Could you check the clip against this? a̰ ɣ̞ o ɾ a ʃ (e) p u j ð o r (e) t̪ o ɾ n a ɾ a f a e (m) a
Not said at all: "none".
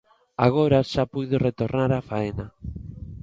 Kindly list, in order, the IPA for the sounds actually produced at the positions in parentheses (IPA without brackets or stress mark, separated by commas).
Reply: a, e, n